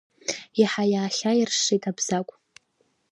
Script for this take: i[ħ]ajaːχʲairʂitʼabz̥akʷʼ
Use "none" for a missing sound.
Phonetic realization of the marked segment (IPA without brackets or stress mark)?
ħ